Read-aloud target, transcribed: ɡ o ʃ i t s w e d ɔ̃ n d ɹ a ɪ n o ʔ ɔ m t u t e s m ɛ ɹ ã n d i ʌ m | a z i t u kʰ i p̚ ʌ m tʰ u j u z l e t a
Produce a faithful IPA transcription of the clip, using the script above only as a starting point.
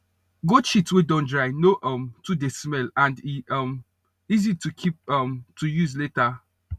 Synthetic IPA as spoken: ɡ o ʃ i t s w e d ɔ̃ n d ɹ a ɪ n o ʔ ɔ m t u d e s m ɛ l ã n d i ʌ m | i z i t u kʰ i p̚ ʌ m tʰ u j u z l e t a